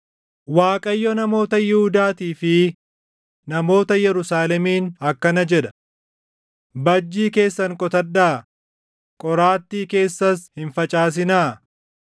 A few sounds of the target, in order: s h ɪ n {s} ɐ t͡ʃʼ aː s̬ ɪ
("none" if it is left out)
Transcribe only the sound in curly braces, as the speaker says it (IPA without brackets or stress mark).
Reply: f